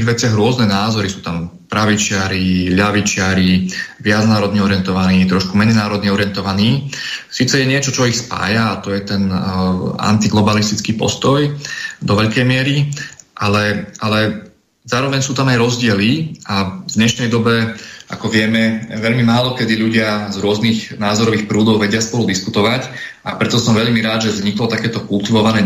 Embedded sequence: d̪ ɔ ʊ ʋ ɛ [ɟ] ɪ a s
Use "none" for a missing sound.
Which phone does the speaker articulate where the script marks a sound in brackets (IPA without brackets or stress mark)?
ɟ